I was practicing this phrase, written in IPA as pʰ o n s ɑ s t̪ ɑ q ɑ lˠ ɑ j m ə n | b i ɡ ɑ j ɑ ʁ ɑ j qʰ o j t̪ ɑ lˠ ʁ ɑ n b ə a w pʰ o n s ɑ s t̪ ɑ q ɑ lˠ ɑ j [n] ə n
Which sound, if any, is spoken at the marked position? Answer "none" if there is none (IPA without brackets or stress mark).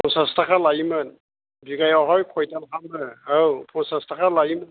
m